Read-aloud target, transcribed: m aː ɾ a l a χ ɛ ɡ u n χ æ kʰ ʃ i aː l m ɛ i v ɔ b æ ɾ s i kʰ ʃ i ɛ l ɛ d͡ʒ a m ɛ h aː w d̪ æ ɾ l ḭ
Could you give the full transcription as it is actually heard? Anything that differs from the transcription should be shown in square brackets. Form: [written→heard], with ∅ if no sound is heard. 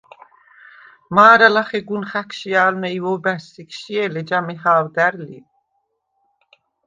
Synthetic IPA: m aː ɾ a l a χ ɛ ɡ u n χ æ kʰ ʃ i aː l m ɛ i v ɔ b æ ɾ s i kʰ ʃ i ɛ l ɛ d͡ʒ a m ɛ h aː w d̪ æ ɾ l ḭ